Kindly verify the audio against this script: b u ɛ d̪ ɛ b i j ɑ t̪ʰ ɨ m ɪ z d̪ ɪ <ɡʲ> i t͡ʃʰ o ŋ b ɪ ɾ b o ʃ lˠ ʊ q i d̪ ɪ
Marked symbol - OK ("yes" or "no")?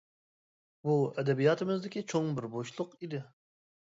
no